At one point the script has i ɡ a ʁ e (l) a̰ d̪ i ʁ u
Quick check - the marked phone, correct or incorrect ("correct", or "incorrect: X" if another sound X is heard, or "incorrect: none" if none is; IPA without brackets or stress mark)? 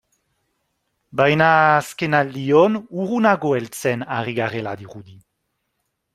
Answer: correct